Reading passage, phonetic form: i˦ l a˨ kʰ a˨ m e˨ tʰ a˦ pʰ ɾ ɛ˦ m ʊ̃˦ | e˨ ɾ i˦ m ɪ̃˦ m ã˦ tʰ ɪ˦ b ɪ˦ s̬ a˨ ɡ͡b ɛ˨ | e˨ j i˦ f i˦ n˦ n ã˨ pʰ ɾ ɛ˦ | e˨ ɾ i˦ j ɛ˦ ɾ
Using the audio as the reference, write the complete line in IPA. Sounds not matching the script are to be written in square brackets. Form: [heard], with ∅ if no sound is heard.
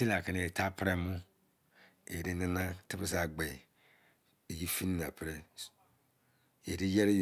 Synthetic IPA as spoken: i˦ l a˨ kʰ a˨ [n] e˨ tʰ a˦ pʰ ɾ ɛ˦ m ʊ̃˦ | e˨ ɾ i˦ [n] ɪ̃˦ [n] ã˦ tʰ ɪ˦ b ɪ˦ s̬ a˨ ɡ͡b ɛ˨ | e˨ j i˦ f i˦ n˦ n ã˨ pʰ ɾ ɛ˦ | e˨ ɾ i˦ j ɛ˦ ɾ